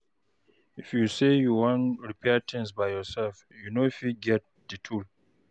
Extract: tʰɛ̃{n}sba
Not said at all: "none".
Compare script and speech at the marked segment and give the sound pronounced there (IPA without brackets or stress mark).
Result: n